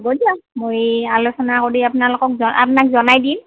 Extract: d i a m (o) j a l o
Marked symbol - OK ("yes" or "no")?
yes